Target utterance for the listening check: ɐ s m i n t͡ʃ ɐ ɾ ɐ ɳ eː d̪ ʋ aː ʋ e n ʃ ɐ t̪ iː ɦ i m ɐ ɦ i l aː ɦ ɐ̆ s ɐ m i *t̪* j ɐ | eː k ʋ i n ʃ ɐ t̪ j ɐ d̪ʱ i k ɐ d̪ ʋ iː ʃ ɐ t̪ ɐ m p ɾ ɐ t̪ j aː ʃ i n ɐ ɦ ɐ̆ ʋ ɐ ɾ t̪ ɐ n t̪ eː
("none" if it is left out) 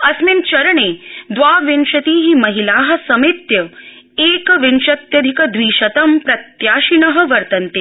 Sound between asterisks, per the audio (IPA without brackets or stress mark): t̪